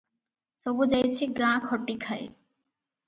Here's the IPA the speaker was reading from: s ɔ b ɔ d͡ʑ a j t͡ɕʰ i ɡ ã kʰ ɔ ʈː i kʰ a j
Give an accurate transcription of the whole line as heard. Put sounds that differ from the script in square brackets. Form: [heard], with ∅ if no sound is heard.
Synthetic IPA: s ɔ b [u] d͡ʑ a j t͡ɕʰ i ɡ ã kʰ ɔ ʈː i kʰ a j